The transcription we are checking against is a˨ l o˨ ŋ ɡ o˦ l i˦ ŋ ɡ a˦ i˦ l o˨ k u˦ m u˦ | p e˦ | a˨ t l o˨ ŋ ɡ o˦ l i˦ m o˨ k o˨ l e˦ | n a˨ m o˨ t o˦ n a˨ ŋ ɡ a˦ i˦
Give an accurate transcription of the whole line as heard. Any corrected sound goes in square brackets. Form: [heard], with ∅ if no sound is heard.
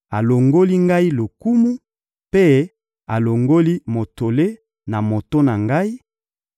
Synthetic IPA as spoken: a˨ l o˨ ŋ ɡ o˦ l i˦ ŋ ɡ a˦ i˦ l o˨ k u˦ m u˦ | p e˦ | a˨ [∅] l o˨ ŋ ɡ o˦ l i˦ m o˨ [t] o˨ l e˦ | n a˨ m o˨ t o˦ n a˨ ŋ ɡ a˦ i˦